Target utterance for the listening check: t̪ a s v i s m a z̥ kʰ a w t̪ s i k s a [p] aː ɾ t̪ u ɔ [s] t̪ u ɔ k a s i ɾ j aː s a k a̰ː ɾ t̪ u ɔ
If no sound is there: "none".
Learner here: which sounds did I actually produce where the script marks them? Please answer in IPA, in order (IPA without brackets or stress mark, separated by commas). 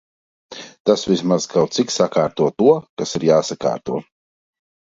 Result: k, none